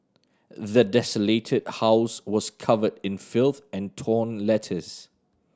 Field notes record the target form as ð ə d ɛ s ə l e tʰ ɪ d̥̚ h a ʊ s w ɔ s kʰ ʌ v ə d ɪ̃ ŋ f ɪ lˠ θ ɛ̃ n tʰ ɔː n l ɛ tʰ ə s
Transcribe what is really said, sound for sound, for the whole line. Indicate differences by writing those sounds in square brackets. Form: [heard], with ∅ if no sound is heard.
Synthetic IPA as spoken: ð ə d ɛ s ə l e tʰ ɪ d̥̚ h a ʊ s w ɔ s kʰ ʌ v ə d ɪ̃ [n] f ɪ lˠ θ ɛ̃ n tʰ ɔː n l ɛ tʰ ə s